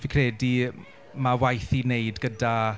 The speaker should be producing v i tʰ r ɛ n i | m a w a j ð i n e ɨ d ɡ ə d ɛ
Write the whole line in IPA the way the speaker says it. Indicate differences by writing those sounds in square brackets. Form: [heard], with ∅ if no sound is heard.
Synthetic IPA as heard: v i [kʰ] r ɛ [d] i | m a w a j [θ] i n e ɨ d ɡ ə d [a]